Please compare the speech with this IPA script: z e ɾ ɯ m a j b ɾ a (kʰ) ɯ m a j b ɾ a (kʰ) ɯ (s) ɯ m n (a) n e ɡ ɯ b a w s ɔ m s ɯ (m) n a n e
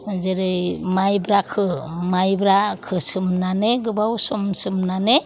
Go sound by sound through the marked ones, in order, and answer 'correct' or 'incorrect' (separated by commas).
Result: correct, correct, correct, correct, correct